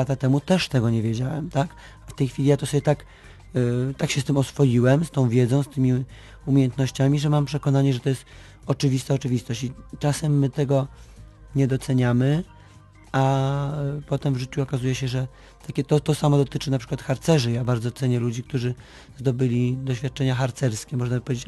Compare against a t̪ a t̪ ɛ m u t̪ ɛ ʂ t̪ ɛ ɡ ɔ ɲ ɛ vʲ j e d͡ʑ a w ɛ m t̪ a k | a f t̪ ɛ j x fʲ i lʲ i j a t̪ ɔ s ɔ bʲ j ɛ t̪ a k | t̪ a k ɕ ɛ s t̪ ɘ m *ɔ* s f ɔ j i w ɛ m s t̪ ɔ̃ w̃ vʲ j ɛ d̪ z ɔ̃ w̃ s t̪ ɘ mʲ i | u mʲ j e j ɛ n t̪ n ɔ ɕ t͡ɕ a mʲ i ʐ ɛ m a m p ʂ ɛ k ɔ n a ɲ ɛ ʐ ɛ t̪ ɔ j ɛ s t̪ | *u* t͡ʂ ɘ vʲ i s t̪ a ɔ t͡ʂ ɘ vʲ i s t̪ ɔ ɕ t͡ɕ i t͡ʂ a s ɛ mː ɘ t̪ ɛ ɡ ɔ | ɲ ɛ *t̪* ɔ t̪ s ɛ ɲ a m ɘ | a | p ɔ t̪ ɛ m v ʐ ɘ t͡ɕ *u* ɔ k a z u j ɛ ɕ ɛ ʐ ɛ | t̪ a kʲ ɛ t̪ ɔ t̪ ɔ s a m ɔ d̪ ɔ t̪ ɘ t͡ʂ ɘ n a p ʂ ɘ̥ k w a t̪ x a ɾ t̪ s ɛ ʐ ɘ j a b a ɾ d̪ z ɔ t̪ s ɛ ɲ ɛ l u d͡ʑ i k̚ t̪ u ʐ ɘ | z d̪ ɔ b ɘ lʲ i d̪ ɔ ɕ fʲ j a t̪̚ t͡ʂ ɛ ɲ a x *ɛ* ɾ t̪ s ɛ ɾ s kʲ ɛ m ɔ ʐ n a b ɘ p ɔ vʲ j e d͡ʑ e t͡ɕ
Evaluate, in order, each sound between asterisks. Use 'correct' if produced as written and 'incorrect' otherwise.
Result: correct, incorrect, incorrect, correct, incorrect

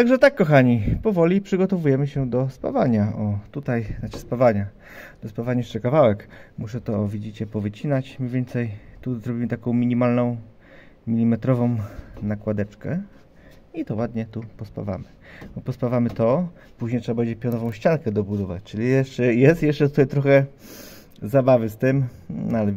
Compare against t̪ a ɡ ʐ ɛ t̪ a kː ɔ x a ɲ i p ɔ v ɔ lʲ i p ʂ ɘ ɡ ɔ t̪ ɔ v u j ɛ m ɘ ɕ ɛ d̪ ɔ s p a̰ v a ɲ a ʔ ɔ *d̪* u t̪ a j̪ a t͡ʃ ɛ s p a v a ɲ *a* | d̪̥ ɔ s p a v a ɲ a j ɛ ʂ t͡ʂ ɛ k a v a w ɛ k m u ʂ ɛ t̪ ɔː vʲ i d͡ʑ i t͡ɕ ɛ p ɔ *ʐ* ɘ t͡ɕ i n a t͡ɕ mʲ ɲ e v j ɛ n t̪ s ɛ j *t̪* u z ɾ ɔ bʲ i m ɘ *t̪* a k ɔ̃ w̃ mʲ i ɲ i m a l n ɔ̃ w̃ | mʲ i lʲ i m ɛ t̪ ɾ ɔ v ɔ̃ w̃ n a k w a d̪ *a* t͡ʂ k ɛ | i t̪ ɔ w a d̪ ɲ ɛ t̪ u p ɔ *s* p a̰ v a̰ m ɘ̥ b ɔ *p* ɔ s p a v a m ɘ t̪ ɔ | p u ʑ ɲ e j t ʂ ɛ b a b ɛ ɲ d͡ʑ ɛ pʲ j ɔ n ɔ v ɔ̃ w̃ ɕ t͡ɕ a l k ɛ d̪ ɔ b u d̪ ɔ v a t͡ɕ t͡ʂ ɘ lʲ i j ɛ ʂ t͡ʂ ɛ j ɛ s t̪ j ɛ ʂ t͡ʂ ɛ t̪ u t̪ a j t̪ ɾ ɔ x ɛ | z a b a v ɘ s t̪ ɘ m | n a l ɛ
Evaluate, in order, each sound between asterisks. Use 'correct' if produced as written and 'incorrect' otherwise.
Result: incorrect, correct, incorrect, correct, correct, incorrect, correct, correct

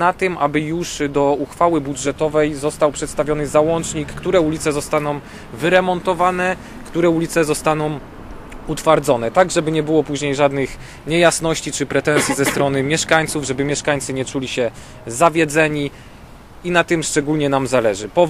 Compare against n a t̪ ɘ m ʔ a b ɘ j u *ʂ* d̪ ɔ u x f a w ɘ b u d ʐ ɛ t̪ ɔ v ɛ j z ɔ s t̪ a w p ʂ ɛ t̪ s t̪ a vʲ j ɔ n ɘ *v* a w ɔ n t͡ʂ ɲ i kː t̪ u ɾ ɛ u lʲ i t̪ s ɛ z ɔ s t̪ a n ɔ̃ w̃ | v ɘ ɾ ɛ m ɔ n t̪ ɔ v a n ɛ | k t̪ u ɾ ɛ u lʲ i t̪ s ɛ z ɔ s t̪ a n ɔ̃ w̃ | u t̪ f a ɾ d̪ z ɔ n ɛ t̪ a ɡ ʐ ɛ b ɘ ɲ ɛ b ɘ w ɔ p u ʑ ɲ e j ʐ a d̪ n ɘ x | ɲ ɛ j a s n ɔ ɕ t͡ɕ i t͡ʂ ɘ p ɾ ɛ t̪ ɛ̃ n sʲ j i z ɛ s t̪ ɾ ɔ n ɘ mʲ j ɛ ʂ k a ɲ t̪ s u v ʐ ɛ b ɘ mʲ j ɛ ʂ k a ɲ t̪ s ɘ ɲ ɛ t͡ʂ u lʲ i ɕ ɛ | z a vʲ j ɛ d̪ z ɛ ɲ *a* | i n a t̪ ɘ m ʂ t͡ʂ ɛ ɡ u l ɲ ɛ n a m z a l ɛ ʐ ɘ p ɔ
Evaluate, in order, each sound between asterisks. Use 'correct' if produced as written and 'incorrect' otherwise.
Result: correct, incorrect, incorrect

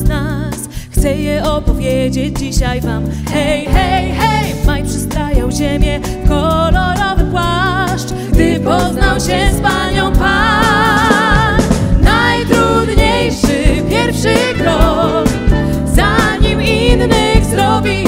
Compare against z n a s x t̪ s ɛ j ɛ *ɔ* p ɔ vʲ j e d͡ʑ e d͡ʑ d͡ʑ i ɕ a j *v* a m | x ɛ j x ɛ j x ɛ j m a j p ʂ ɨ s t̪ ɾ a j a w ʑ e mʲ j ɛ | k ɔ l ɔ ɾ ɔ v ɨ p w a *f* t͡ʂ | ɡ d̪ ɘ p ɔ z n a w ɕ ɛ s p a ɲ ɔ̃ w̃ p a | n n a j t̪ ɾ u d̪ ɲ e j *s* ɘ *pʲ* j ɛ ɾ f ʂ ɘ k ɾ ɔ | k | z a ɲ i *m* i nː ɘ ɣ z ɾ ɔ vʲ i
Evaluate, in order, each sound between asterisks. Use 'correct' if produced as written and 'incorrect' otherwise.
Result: correct, correct, incorrect, incorrect, correct, correct

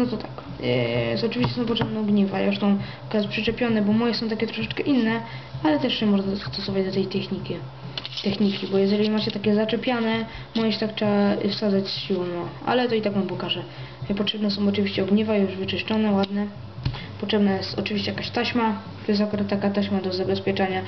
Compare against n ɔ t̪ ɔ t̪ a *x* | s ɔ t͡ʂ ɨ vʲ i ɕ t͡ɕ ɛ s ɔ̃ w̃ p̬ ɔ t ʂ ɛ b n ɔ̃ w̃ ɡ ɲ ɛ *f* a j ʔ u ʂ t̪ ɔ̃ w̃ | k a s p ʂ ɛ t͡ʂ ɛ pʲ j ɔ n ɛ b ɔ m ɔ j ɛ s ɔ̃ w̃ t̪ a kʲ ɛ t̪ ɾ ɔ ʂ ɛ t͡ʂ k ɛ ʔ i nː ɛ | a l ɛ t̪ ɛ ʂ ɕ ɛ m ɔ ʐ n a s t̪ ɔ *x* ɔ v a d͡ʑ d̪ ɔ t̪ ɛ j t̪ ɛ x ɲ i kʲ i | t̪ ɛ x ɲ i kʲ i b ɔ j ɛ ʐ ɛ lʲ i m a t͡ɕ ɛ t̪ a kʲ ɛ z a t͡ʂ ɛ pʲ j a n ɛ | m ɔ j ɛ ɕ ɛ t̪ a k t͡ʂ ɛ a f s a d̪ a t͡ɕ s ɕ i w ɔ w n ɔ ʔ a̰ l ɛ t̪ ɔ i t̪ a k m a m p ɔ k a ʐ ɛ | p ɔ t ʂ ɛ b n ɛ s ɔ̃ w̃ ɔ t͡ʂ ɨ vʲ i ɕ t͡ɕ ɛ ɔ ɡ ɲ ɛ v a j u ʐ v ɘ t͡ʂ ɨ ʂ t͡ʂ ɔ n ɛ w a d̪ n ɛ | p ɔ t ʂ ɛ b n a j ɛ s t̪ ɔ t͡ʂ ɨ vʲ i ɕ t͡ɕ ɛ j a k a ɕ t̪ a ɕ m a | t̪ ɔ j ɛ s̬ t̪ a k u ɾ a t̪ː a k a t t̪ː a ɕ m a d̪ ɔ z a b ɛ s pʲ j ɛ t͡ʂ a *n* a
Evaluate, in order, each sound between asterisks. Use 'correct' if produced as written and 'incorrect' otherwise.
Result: incorrect, incorrect, incorrect, incorrect

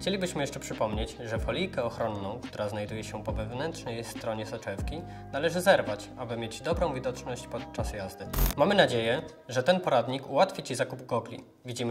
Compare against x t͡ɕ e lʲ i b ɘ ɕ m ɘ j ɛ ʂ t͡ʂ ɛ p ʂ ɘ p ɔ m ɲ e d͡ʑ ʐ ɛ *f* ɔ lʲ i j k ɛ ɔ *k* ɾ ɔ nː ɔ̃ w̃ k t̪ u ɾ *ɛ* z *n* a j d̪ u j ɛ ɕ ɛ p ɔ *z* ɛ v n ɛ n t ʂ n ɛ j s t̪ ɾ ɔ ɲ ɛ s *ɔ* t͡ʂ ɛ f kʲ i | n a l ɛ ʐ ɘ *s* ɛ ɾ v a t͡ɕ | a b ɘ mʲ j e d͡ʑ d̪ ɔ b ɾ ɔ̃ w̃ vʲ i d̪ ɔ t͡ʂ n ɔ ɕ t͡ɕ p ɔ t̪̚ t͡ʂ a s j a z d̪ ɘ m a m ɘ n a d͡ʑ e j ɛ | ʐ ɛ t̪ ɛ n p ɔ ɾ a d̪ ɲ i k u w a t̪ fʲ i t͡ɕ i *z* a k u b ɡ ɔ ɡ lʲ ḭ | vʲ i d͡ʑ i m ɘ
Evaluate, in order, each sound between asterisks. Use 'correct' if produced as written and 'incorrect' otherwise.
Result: correct, incorrect, incorrect, correct, incorrect, correct, incorrect, correct

